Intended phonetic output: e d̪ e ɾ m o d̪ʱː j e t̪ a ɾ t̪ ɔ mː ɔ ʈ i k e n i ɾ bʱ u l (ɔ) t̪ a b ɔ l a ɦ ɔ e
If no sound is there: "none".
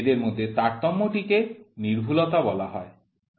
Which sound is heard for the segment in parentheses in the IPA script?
ɔ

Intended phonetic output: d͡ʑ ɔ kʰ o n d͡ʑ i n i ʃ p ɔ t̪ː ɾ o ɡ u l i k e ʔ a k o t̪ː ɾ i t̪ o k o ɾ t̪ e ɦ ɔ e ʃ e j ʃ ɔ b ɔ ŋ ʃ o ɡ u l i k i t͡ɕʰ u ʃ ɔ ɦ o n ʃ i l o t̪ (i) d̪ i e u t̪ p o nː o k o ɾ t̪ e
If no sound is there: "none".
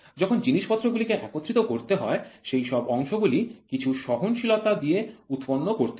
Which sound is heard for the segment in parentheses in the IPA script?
a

